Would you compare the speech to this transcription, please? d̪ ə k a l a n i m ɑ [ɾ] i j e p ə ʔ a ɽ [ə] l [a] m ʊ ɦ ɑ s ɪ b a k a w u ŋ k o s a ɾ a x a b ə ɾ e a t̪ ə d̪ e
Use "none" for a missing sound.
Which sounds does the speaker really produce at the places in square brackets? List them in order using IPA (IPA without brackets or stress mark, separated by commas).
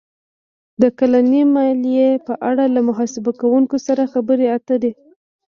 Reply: l, a, a